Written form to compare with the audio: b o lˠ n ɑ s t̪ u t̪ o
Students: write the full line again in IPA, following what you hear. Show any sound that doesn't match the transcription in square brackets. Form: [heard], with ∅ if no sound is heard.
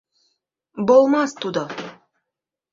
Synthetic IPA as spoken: b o lˠ [m] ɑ s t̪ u [d̪] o